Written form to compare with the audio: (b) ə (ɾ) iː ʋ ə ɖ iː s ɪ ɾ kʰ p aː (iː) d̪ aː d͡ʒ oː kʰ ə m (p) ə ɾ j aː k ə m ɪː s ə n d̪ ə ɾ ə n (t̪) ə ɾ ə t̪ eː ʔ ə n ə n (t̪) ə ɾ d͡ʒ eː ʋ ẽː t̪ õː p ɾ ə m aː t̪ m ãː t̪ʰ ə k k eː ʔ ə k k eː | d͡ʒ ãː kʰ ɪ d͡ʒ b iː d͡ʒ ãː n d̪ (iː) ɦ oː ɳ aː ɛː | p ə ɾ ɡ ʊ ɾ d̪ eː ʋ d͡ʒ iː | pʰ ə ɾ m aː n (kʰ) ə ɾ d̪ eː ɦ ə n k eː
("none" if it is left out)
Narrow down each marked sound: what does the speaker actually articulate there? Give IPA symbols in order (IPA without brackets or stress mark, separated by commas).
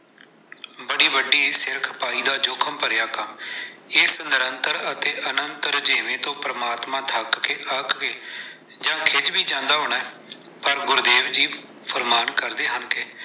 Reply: b, ɽ, iː, p, t̪, t̪, aː, k